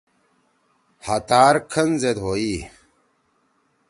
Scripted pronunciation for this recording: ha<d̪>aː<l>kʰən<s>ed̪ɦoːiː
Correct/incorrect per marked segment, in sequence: incorrect: t̪, incorrect: ɾ, incorrect: z

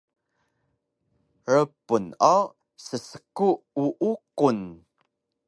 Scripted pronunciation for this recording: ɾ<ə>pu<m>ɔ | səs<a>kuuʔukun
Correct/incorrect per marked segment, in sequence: correct, incorrect: n, incorrect: ə

